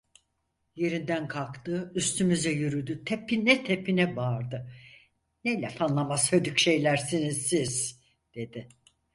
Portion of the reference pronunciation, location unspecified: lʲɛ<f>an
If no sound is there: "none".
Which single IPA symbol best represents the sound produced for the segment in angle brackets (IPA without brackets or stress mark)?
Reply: f